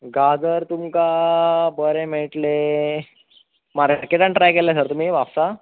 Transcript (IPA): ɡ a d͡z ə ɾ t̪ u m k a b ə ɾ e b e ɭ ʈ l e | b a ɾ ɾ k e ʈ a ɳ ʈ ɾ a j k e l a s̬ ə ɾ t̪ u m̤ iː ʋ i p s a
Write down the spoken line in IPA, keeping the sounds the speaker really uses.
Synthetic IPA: ɡ a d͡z ə ɾ t̪ u m k a b ə ɾ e m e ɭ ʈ l e | m a ɾ ɾ k e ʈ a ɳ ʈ ɾ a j k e l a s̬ ə ɾ t̪ u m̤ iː ʋ a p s a